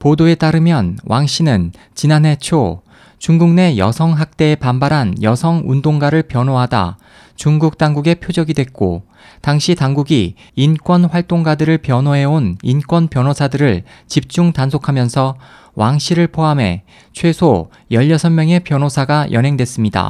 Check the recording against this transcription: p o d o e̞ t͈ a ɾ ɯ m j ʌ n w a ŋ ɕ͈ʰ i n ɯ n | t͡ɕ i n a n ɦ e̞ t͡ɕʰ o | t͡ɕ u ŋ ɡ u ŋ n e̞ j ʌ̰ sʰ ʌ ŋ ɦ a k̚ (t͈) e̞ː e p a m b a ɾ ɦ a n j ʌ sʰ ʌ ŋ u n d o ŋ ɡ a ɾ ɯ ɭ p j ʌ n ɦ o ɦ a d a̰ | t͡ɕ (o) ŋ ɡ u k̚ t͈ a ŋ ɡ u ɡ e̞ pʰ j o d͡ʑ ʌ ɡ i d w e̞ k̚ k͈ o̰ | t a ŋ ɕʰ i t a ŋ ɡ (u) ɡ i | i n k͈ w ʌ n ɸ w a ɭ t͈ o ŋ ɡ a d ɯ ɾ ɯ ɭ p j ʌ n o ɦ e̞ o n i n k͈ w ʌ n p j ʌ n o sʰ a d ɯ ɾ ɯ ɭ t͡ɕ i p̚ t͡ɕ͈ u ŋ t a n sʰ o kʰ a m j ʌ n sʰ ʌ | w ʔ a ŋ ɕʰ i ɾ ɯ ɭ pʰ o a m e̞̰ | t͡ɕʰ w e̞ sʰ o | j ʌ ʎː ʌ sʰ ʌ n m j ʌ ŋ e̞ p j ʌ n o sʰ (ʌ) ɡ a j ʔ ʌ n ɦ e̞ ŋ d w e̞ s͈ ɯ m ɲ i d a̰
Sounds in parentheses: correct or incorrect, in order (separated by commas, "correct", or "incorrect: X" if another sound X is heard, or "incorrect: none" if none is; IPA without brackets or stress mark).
correct, incorrect: u, correct, incorrect: a